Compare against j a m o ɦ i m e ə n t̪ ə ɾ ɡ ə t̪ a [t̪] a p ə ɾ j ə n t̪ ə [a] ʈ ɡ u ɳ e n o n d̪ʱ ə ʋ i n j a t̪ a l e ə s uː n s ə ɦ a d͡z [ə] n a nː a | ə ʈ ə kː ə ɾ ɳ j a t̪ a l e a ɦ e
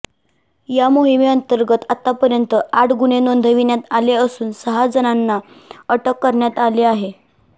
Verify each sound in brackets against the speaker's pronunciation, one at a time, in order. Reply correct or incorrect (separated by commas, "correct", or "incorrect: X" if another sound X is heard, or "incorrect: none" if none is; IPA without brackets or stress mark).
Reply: correct, correct, correct